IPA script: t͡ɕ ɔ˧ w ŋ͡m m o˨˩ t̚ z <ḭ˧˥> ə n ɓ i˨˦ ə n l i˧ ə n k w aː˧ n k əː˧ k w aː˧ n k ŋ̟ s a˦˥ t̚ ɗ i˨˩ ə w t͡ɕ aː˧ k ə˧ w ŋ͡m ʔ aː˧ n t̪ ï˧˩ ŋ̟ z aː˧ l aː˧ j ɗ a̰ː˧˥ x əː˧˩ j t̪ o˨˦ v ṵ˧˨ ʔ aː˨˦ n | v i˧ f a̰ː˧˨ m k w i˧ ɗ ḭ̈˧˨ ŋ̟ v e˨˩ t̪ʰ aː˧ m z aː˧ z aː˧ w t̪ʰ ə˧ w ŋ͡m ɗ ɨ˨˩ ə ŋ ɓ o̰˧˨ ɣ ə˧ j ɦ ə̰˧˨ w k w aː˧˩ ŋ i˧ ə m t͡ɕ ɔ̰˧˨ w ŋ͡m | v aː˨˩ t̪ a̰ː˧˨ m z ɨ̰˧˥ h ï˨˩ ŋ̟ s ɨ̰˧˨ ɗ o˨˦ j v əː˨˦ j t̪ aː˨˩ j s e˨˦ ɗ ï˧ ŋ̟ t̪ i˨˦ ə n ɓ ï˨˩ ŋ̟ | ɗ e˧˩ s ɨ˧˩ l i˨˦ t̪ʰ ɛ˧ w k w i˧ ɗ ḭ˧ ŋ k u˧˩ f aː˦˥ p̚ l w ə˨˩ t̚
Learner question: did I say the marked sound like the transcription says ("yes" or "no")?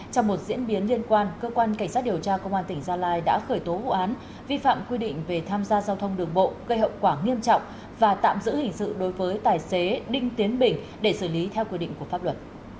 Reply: yes